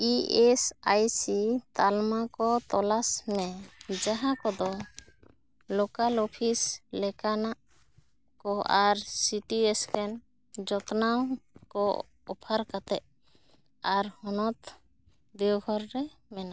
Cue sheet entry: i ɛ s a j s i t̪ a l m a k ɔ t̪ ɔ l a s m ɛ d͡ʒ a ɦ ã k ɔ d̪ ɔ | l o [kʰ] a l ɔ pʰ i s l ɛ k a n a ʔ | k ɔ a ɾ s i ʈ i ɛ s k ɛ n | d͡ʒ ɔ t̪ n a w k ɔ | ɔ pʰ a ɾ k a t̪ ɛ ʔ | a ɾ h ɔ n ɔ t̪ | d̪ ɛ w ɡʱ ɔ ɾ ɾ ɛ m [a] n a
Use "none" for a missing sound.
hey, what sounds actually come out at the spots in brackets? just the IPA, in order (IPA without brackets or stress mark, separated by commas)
k, ɛ